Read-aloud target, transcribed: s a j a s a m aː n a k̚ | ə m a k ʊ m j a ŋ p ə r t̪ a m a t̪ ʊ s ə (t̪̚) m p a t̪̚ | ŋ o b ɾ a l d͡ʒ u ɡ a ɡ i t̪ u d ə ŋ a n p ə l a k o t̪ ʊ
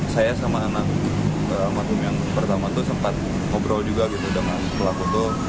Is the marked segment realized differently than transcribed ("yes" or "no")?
yes